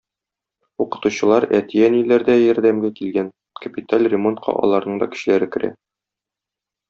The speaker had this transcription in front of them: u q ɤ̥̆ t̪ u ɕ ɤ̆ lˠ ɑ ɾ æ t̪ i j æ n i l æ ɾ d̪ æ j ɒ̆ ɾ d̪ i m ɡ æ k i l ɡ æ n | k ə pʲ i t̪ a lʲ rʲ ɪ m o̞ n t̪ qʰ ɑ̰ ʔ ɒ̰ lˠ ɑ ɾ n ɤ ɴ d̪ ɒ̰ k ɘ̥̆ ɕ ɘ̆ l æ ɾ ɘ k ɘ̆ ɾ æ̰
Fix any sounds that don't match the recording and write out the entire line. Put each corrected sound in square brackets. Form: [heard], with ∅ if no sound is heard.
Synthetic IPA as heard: u q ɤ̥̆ t̪ u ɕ ɤ̆ lˠ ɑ ɾ æ t̪ i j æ n i l æ ɾ d̪ æ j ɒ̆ ɾ d̪ [æ] m ɡ æ k i l ɡ æ n | k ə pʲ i t̪ a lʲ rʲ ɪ m o̞ n t̪ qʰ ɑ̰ ʔ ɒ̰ lˠ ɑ ɾ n ɤ ɴ d̪ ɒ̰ k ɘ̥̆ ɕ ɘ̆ l æ ɾ ɘ k ɘ̆ ɾ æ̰